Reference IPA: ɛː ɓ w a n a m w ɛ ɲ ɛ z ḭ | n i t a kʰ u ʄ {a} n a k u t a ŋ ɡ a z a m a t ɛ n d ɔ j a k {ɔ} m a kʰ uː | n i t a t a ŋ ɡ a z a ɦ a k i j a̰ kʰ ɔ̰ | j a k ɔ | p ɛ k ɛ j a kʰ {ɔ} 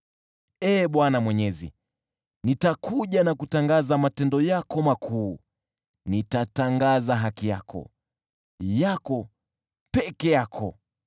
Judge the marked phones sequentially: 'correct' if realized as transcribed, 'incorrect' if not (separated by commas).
correct, correct, correct